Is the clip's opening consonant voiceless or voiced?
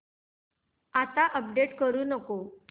voiceless